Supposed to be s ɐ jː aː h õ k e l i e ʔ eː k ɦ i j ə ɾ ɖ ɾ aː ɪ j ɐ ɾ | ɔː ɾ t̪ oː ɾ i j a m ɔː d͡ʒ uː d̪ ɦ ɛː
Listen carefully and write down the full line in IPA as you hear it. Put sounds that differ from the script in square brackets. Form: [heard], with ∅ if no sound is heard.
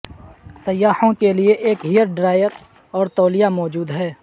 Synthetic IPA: s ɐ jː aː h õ k e l i e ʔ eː k ɦ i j ə ɾ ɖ ɾ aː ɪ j [ə] ɾ | ɔː ɾ t̪ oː [l] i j a m ɔː d͡ʒ uː d̪ ɦ ɛː

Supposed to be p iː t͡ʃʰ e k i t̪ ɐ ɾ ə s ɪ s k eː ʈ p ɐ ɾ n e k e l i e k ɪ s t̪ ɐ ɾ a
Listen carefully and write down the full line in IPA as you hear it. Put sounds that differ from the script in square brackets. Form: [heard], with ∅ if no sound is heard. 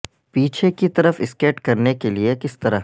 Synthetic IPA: p iː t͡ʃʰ e k i t̪ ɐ ɾ ə [f] ɪ s k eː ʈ [k] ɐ ɾ n e k e l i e k ɪ s t̪ ɐ ɾ a

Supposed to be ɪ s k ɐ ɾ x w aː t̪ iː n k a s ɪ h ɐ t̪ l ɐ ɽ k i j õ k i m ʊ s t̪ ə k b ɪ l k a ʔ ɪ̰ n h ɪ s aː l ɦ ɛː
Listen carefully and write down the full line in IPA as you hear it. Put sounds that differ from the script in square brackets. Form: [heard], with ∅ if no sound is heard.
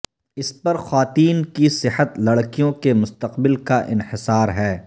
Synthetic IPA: ɪ s [p] ɐ ɾ x w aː t̪ iː n k [i] s ɪ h [ə] t̪ l ɐ ɽ k i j õ k [e] m ʊ s t̪ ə [q] b ɪ l k a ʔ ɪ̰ n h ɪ s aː [ɾ] ɦ ɛː

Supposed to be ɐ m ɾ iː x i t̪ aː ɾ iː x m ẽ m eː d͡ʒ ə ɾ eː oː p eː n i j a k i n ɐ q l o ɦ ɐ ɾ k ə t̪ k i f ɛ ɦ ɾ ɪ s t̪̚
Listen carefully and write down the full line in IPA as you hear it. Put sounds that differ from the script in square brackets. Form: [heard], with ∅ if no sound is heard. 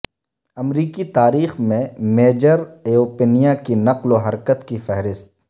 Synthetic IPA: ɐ m ɾ iː [k] i t̪ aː ɾ iː x m ẽ m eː d͡ʒ ə ɾ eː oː p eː n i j a k i n ɐ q l o ɦ ɐ ɾ k ə t̪ k i f ɛ ɦ ɾ ɪ s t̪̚

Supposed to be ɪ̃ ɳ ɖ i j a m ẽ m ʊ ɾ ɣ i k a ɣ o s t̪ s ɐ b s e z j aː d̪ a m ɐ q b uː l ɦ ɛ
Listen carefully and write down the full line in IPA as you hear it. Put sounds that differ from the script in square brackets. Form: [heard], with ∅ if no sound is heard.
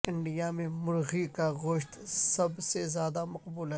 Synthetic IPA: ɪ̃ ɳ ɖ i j a m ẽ m ʊ ɾ ɣ i k a ɣ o [ʃ] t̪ s ɐ b s e z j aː d̪ a m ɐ q b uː l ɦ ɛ

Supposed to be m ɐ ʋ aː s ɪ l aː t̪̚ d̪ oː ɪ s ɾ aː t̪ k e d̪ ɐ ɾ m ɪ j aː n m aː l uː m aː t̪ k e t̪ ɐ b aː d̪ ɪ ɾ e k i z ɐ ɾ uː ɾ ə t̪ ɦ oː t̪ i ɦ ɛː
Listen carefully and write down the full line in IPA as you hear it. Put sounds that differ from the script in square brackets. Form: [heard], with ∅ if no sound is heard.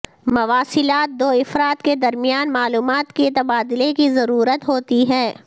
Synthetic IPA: m ɐ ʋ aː s ɪ l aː t̪̚ d̪ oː ɪ [f] ɾ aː t̪ k e d̪ ɐ ɾ m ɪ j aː n m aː l uː m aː t̪ k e t̪ ɐ b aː d̪ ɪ [l] e k i z ɐ ɾ uː ɾ ə t̪ ɦ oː t̪ i ɦ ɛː

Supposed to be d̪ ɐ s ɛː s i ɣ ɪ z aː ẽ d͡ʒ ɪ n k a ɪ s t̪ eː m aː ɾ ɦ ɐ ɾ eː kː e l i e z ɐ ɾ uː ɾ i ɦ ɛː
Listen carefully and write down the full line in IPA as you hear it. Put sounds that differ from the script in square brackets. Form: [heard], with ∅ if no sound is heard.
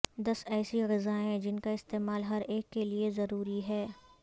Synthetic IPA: d̪ ɐ s ɛː s i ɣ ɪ z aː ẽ d͡ʒ ɪ n k a ɪ s t̪ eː m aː [l] ɦ ɐ ɾ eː kː e l i e z ɐ ɾ uː ɾ i ɦ ɛː

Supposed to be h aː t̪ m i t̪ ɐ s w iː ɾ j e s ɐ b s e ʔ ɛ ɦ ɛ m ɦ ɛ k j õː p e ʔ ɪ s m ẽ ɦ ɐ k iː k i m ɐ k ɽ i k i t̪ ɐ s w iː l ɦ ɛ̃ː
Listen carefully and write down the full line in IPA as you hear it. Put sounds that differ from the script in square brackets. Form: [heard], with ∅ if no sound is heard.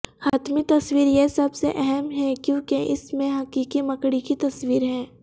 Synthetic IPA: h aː t̪ m i t̪ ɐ s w iː ɾ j e s ɐ b s e ʔ ɛ ɦ ɛ m ɦ ɛ k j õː [k] e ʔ ɪ s m ẽ ɦ ɐ k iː k i m ɐ k ɽ i k i t̪ ɐ s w iː [ɾ] ɦ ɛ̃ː

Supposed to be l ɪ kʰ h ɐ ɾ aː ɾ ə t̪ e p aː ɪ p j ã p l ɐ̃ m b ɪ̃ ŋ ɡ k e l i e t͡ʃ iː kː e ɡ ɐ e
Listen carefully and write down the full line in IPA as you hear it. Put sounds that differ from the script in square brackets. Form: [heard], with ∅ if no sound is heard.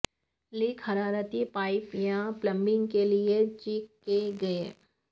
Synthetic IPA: l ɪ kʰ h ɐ ɾ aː ɾ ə t̪ [i] p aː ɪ p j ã p l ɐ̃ m b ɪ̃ ŋ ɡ k e l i e t͡ʃ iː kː e ɡ ɐ e

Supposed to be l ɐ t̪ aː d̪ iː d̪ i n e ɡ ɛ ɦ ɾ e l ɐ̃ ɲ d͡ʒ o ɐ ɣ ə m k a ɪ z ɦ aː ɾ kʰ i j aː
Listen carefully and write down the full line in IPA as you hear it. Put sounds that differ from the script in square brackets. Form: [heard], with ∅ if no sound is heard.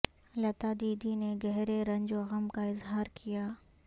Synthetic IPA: l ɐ t̪ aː d̪ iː d̪ i n e ɡ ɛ ɦ ɾ e [ɾ] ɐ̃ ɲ d͡ʒ o ɐ ɣ ə m k a ɪ z ɦ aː ɾ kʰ i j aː

